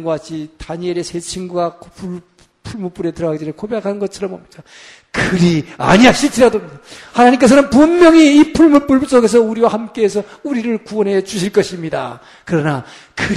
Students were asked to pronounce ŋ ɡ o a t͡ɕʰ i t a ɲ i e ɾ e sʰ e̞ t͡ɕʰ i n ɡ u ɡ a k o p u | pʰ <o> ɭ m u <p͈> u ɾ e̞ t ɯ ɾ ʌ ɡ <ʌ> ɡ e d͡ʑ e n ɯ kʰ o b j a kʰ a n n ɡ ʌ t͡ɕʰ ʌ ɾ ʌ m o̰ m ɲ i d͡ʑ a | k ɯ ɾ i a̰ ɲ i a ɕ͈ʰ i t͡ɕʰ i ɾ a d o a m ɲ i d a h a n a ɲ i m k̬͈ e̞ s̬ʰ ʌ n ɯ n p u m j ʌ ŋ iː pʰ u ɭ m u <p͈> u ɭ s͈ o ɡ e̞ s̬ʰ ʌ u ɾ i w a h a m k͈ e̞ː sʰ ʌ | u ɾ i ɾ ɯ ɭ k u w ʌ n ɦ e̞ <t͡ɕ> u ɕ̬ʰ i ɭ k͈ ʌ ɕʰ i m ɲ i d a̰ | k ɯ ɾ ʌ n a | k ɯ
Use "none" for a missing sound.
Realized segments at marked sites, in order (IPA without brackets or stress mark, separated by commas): u, p͈, a, p͈, t͡ɕ